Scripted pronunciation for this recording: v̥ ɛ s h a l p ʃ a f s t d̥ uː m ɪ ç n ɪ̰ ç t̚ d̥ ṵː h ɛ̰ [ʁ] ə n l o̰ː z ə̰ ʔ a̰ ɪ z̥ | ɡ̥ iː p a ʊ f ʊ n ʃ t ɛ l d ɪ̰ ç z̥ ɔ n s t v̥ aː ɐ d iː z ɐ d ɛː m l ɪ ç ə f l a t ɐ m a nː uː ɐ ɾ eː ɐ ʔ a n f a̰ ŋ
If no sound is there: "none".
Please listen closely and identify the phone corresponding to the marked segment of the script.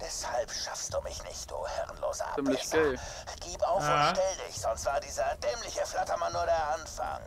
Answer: ʁ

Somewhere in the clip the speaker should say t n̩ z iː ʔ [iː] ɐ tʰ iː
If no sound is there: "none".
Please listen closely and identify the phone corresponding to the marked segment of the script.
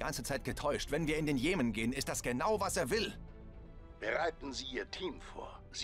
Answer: iː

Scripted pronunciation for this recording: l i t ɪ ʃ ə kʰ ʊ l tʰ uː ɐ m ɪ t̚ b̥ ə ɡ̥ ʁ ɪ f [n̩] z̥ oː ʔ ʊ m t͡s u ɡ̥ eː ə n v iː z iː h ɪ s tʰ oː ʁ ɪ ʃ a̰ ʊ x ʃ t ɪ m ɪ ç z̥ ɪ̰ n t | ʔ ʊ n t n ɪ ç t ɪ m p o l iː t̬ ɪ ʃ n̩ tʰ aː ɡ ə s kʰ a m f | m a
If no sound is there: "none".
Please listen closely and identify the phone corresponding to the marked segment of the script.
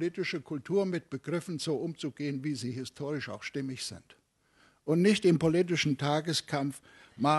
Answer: n̩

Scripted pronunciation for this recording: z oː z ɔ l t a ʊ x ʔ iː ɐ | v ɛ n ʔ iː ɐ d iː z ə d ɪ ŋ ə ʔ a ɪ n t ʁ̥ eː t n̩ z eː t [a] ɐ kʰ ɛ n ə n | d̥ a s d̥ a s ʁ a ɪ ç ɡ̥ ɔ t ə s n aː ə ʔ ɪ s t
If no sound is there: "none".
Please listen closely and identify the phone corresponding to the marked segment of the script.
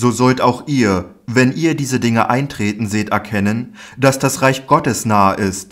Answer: ɛ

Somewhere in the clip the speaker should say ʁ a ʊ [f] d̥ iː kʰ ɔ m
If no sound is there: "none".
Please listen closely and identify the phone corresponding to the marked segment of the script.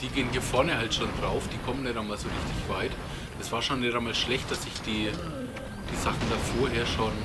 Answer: f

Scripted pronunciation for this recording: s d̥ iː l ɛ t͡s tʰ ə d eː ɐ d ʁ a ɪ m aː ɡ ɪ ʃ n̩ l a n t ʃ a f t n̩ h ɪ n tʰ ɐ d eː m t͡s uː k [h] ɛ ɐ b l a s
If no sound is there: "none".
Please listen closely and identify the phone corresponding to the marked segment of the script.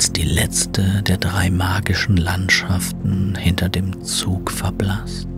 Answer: f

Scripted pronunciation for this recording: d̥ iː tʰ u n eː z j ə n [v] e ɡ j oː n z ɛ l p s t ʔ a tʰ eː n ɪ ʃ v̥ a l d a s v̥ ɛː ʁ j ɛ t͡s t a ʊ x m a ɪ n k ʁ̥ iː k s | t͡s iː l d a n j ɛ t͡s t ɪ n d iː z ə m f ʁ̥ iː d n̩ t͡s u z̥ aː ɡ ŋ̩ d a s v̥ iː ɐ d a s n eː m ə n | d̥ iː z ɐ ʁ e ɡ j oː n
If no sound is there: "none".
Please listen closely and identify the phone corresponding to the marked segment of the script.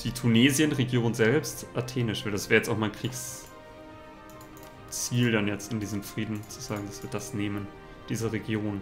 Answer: ʁ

